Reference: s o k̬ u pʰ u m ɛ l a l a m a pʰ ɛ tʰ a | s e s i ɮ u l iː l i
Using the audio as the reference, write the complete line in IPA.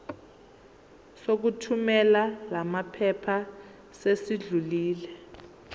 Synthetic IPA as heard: s o k̬ u tʰ u m ɛ l a l a m a pʰ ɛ pʰ a | s e s i ɮ u l iː l ɛ